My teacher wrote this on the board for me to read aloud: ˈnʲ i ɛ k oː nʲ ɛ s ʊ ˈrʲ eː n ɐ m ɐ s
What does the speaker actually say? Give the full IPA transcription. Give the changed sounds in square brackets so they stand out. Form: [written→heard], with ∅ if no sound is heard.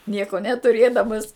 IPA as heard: ˈnʲ i ɛ k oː nʲ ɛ [s→t] ʊ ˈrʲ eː [n→d] ɐ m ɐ s